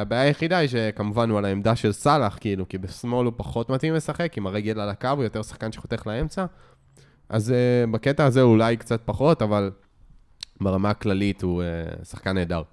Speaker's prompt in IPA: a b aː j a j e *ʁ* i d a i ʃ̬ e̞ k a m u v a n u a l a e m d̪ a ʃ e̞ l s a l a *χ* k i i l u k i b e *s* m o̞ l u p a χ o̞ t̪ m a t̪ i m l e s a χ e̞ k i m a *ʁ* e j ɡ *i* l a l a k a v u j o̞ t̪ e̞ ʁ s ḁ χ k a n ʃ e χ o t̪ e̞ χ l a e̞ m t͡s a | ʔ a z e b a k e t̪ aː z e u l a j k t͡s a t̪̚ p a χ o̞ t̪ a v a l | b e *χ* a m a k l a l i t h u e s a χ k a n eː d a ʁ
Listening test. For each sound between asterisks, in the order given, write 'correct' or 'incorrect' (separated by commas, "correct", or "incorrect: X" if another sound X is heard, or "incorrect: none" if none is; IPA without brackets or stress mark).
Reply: incorrect: χ, correct, correct, correct, incorrect: e, incorrect: ʁ